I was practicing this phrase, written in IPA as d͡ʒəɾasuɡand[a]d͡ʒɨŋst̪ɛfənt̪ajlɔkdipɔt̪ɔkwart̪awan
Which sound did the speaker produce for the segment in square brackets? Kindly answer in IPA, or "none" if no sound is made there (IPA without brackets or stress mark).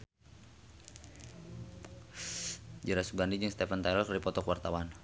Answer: i